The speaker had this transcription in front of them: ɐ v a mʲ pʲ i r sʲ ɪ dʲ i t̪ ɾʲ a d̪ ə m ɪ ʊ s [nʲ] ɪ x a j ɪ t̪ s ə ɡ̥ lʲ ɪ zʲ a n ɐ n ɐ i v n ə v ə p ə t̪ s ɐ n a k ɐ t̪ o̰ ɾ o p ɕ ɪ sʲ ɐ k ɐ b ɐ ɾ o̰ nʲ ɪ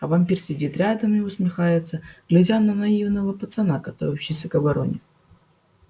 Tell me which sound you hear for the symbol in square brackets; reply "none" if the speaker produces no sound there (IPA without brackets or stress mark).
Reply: mʲ